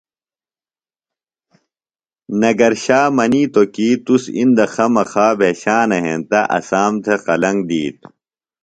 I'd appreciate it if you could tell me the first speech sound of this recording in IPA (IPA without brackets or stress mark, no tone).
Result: n